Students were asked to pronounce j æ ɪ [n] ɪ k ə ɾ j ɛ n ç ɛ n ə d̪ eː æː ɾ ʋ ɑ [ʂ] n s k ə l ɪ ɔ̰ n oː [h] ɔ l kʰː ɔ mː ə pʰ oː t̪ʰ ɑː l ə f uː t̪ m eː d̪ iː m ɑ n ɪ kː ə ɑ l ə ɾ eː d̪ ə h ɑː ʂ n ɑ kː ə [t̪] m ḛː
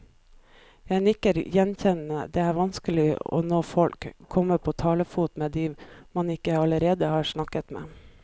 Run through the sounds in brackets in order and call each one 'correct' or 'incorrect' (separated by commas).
correct, incorrect, incorrect, correct